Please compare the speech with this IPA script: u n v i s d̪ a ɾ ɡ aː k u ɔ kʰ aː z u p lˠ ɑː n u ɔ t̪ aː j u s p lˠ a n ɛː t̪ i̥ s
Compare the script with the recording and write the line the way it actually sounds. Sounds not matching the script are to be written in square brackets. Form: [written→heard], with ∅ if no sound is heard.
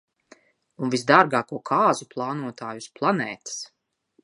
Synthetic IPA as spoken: u n v i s d̪ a ɾ ɡ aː k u ɔ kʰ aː z u p lˠ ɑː n u ɔ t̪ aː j u s p lˠ a n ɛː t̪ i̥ s